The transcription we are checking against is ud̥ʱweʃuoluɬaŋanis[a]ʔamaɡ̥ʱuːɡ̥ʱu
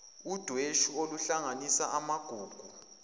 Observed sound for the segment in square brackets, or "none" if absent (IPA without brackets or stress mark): a